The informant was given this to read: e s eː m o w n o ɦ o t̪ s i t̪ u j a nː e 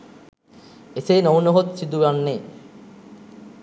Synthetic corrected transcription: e s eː n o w n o ɦ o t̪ s i d̪ u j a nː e